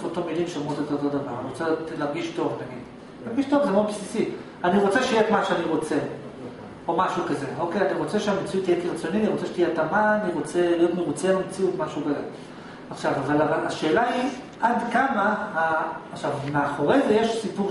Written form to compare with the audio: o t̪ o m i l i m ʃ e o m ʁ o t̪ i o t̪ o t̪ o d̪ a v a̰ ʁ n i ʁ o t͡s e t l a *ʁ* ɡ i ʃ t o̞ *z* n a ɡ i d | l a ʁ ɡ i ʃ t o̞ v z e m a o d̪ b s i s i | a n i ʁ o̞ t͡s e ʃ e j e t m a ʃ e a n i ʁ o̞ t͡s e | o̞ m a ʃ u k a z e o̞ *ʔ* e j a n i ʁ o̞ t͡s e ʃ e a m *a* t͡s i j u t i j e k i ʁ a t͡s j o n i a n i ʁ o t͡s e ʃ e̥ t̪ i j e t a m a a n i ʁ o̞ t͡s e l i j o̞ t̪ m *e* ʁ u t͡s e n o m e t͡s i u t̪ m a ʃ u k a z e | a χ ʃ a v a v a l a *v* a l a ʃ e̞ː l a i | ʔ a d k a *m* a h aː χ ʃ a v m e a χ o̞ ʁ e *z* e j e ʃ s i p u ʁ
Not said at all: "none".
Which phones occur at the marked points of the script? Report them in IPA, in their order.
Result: ʁ, v, k, e, e, v, m, z

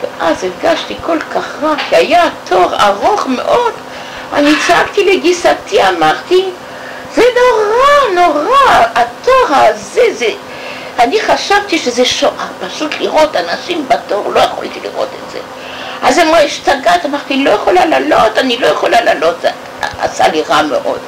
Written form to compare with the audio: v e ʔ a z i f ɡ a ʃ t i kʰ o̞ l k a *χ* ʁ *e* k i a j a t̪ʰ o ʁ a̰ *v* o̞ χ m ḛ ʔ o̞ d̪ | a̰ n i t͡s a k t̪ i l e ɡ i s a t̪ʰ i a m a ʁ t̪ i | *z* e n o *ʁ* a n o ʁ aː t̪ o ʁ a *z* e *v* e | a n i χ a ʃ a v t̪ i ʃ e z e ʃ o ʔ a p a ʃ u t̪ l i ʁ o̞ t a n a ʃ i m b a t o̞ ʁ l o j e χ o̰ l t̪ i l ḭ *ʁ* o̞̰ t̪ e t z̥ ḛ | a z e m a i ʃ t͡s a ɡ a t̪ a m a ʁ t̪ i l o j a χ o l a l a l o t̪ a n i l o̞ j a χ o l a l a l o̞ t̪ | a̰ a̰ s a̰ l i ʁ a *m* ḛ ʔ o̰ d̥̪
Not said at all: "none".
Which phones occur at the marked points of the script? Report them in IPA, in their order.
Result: χ, a, ʁ, z, ʁ, z, z, ʁ, m

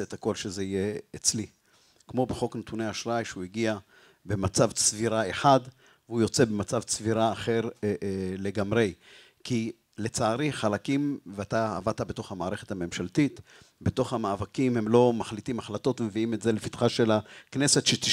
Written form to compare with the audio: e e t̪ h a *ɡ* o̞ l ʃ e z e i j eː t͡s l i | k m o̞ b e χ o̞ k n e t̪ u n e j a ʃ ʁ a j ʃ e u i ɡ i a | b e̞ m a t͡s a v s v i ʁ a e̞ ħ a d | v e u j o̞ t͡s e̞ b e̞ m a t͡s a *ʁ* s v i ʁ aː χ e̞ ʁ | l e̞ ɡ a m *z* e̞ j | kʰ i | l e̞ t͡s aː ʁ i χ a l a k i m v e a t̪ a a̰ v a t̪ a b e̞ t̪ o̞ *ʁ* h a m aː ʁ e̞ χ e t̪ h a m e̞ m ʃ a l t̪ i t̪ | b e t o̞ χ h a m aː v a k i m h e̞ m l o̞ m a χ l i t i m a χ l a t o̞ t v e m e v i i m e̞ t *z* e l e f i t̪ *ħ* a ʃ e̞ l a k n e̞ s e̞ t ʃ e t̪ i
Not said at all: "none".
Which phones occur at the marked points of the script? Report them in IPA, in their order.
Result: k, v, ʁ, χ, z, χ

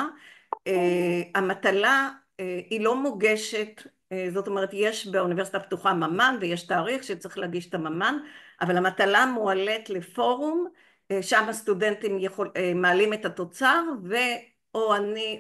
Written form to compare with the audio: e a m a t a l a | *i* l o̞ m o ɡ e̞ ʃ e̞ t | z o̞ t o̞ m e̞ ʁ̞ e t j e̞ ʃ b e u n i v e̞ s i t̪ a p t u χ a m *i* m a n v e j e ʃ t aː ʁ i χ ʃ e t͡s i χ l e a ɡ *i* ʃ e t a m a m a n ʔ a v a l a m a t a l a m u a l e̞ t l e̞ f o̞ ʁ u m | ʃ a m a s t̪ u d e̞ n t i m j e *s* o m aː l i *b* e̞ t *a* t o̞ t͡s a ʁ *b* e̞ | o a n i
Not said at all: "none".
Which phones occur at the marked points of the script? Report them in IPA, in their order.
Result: i, a, i, χ, m, a, v

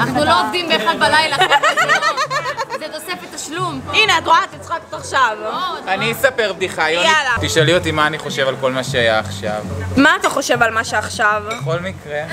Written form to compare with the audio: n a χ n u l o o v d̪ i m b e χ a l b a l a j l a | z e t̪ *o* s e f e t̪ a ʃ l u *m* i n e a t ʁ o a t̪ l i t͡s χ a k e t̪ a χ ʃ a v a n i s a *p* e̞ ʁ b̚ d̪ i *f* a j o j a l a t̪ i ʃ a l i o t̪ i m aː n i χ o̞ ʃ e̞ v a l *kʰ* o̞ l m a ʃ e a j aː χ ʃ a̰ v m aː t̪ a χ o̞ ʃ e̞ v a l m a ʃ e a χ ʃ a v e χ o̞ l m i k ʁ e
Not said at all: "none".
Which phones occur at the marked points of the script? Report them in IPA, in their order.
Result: o, m, p, χ, k

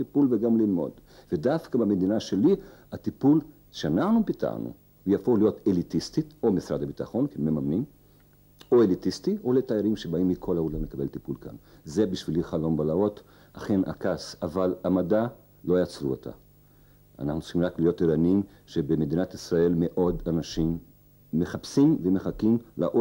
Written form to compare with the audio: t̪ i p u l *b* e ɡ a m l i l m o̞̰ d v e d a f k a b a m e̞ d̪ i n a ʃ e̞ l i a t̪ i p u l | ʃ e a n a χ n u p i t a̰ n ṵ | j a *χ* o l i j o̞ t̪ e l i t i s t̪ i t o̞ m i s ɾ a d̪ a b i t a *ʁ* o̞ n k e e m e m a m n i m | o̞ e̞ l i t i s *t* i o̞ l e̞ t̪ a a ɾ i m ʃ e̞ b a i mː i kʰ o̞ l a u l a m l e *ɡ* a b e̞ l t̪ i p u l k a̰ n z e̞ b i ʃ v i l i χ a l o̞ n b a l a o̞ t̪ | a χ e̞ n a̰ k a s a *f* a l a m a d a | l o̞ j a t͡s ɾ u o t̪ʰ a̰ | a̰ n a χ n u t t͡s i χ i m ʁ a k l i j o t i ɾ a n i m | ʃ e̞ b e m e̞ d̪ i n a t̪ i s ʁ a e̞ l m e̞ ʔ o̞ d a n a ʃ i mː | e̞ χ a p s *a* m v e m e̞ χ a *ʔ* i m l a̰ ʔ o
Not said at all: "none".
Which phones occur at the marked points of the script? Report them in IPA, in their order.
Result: v, f, χ, t, k, v, i, k

